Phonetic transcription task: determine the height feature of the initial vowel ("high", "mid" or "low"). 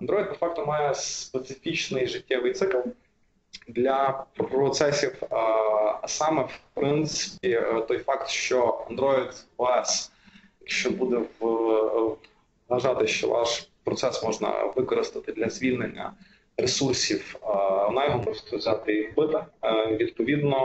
low